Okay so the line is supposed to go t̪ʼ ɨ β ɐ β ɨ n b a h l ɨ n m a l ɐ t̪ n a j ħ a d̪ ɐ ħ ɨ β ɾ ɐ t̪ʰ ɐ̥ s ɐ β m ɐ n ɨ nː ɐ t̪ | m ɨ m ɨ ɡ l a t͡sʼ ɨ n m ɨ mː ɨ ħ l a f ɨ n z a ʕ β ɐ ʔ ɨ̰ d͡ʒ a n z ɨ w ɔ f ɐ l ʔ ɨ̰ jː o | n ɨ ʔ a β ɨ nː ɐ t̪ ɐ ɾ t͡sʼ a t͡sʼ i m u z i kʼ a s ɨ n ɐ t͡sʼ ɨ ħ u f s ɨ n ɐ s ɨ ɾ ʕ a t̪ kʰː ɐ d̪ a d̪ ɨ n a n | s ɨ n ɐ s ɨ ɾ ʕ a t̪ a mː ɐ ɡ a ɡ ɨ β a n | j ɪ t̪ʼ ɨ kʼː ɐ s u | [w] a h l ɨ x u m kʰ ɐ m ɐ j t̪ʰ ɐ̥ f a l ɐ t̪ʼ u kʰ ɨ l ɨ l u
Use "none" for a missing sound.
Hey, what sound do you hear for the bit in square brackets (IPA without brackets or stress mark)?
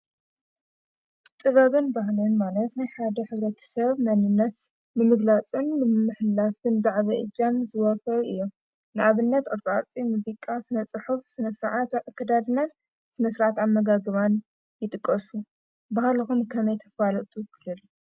b